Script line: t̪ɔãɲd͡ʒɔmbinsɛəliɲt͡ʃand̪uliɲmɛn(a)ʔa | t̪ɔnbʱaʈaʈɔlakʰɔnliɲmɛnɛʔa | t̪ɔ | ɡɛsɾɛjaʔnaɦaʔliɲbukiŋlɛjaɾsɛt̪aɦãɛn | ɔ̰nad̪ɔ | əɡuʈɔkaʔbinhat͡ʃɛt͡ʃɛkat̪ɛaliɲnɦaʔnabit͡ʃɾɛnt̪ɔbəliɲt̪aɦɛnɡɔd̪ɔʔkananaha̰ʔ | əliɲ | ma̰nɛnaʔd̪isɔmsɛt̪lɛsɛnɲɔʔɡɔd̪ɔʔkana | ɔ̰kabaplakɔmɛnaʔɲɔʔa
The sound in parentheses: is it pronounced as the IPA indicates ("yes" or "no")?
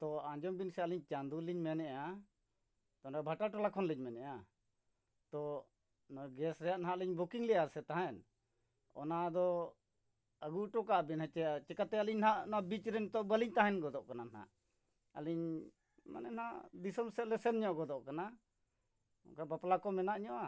no